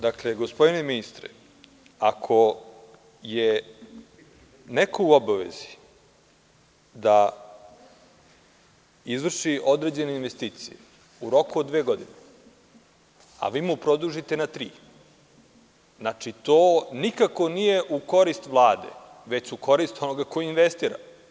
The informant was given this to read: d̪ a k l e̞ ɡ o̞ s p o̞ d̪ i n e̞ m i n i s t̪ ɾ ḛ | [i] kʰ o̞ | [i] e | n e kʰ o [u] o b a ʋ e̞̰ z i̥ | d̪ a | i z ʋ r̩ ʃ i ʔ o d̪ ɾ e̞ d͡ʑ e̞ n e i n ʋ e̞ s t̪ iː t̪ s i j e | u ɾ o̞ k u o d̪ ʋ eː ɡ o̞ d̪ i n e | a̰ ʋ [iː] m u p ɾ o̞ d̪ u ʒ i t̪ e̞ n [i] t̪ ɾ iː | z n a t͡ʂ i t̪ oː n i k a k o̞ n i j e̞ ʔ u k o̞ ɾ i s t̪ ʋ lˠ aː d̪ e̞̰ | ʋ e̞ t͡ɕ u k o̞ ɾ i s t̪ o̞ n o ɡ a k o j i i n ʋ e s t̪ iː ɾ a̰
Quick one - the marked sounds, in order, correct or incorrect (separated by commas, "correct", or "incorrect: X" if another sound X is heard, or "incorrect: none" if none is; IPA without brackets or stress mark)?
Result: incorrect: a, incorrect: j, correct, correct, incorrect: a